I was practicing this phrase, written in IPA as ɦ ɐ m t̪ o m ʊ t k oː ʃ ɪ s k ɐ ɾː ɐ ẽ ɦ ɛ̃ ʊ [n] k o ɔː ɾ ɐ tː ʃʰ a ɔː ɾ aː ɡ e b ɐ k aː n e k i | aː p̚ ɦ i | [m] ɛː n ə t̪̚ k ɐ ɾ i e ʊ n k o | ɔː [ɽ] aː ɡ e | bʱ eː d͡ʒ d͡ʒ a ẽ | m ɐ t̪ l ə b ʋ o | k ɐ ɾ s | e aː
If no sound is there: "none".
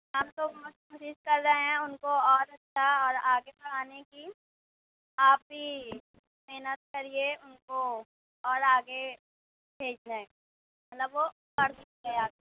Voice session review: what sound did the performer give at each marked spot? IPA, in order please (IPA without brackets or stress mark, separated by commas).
n, m, ɾ